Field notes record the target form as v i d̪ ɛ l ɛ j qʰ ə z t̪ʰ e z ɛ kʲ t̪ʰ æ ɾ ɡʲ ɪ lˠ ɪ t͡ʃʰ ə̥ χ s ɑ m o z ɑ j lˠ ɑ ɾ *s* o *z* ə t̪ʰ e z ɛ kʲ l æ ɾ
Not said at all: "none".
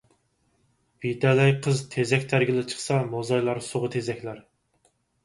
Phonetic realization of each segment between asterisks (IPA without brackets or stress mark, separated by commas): s, ʁ